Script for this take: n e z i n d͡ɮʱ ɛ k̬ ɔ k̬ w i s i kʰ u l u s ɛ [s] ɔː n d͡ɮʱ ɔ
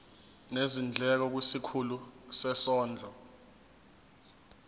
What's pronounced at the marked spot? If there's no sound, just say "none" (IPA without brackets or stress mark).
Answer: s